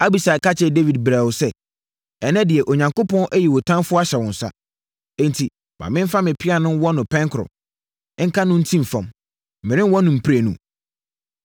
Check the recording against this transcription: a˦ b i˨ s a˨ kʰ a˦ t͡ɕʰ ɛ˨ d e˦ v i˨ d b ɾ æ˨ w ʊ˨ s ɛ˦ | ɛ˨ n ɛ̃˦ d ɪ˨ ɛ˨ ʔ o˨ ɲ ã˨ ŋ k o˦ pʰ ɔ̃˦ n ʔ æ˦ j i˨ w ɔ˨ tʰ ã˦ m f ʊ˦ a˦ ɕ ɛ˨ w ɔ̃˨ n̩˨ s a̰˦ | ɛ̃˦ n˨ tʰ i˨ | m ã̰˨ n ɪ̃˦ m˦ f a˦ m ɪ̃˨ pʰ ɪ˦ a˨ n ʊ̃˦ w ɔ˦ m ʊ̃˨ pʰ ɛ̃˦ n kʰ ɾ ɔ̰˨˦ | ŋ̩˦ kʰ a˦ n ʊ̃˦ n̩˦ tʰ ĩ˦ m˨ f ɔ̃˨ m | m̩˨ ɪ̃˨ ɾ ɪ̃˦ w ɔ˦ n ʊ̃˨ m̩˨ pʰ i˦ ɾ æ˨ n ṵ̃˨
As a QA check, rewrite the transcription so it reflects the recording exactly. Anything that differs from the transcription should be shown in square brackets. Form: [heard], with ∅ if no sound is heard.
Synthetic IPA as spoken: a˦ b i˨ s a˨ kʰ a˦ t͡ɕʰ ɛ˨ d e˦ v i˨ d b ɾ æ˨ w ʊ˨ s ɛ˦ | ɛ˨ n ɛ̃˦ d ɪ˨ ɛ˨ ʔ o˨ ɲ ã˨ ŋ k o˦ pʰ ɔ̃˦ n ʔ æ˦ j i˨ w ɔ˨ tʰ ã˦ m f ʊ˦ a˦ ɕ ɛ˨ w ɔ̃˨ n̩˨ s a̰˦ | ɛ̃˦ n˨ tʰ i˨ | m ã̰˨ [m] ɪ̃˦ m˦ f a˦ m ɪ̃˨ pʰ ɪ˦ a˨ n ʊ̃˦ w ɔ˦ [n] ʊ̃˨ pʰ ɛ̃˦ [ŋ] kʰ ɾ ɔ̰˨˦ | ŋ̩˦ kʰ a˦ n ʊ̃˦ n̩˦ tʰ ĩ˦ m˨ f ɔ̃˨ m | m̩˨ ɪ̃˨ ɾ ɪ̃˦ w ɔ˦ n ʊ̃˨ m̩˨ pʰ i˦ ɾ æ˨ n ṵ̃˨

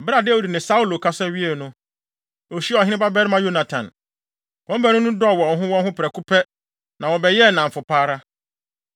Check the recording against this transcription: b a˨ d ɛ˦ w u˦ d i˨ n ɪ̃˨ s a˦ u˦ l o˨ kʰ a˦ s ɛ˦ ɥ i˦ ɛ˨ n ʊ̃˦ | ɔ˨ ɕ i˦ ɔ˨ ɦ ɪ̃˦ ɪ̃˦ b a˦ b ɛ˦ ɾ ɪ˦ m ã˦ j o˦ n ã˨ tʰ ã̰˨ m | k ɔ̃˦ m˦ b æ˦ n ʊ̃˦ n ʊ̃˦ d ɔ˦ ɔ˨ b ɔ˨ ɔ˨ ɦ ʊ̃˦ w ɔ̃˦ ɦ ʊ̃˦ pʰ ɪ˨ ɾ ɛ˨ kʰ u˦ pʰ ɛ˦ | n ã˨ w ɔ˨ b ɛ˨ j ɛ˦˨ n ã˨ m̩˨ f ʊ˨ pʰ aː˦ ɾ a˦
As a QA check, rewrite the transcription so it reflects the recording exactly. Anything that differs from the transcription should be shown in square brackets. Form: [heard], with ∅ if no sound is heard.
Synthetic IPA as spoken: b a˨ d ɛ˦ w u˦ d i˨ n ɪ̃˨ s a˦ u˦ l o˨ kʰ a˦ s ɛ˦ ɥ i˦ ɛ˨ n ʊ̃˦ | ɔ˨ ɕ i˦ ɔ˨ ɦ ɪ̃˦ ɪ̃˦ b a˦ b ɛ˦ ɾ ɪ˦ m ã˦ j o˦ n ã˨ tʰ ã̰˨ [n] | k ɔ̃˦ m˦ b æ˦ n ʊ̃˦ n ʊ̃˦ d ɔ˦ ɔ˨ [w] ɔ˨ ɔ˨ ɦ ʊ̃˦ w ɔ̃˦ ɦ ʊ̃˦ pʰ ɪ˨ ɾ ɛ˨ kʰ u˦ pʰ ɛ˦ | n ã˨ w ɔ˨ b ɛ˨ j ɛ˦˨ n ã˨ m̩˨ f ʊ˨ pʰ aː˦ ɾ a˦

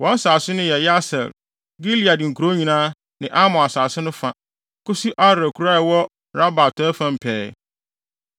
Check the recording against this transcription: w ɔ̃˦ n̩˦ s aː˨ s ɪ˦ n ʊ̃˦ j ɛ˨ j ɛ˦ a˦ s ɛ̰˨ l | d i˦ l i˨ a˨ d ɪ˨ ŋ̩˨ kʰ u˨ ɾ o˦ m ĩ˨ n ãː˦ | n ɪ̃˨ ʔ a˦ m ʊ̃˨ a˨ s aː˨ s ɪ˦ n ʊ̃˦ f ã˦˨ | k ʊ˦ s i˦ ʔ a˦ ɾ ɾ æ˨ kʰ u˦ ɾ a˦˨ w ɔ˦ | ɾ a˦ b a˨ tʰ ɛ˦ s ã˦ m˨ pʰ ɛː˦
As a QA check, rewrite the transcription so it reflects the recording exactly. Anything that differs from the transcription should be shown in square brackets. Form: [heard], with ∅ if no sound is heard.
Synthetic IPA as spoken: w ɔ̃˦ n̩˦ s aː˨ s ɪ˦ n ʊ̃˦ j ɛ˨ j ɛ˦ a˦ s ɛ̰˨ l | [ɡ] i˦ l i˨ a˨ d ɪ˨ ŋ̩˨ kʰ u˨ ɾ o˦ [ɲ] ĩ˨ n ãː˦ | n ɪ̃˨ ʔ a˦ m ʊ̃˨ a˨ s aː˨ s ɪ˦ n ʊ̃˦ f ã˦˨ | k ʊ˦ s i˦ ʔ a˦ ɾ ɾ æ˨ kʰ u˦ ɾ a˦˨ w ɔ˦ | ɾ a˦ b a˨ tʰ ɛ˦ [f] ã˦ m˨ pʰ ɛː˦

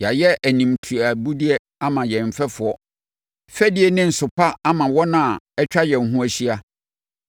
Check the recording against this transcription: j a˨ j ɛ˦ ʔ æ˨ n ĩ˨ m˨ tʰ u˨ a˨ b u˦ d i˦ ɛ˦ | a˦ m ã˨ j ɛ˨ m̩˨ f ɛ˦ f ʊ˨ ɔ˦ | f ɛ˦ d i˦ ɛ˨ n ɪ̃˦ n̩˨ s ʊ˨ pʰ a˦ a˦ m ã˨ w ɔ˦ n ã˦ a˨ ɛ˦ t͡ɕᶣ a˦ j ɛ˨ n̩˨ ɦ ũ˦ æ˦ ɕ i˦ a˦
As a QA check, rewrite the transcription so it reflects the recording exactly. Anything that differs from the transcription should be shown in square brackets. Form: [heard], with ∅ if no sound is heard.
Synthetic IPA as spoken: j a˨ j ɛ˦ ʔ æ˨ n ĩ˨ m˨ tʰ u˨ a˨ b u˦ d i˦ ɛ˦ | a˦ m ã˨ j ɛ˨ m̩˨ f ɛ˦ f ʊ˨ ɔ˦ | f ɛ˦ d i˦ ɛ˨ n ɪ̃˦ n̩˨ s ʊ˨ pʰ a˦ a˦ m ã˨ w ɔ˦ n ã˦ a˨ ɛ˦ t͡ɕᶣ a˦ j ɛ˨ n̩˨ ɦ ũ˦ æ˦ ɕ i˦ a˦

